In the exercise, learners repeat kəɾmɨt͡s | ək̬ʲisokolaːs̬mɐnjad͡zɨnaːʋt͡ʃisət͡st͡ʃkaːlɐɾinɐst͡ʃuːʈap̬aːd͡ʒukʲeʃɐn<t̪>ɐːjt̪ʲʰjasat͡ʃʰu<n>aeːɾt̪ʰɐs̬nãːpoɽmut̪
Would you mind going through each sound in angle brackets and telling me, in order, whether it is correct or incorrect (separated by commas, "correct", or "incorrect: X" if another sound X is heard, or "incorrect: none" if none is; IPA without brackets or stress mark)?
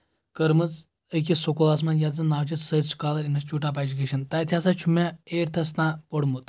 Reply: correct, incorrect: m